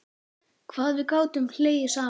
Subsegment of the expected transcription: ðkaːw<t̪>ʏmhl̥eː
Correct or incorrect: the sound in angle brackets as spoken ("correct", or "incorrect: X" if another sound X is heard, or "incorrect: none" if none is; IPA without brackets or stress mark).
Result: correct